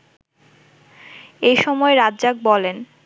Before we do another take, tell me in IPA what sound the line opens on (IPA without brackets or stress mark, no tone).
e